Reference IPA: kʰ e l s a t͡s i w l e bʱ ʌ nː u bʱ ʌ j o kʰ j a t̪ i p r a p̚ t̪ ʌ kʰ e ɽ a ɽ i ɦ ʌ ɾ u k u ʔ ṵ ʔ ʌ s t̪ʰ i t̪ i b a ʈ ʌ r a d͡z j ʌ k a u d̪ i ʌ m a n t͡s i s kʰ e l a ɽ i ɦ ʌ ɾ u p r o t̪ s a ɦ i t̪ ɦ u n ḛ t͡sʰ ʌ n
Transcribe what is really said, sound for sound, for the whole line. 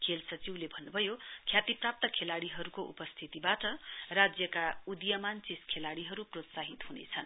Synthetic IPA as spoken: kʰ e l s ʌ t͡s i w l e bʱ ʌ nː u bʱ ʌ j o kʰ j a t̪ i p r a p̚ t̪ ʌ kʰ e l a ɽ i ɦ ʌ ɾ u k o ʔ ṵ p ʌ s t̪ʰ i t̪ i b a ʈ ʌ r a d͡z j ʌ k a u d̪ j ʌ m a n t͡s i s kʰ e l a ɽ i ɦ ʌ ɾ u p r o t̪ s a ɦ i t̪ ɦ u n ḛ t͡sʰ ʌ n